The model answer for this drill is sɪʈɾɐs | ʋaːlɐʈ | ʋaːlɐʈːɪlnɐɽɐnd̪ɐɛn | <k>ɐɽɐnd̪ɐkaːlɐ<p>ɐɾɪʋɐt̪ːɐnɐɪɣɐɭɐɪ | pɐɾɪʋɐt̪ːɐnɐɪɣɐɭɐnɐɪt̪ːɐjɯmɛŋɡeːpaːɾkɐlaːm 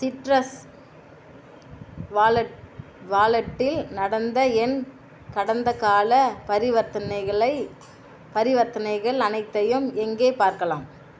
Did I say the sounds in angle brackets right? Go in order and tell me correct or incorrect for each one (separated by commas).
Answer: correct, correct